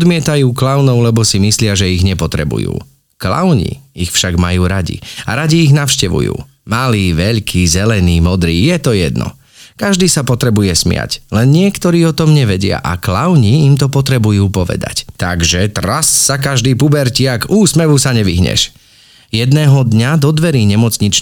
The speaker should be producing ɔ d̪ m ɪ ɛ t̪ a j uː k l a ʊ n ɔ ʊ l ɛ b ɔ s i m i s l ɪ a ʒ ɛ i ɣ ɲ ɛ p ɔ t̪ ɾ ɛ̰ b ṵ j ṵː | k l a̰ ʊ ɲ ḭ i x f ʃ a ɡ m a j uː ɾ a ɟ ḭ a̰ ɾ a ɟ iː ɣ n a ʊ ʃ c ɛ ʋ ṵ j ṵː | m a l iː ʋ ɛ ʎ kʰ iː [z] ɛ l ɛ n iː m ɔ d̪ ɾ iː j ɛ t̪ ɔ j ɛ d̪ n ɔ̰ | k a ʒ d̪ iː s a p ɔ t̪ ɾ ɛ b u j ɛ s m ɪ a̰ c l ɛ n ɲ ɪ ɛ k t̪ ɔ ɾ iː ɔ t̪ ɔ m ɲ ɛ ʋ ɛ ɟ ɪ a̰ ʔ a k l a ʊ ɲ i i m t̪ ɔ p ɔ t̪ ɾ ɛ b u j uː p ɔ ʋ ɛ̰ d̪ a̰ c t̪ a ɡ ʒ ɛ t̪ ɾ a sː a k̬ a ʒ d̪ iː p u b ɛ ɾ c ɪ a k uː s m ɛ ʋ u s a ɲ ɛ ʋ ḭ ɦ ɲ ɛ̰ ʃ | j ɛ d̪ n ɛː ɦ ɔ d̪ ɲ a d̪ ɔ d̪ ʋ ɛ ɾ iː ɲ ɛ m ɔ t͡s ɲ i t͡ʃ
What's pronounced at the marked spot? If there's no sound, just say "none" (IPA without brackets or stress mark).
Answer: z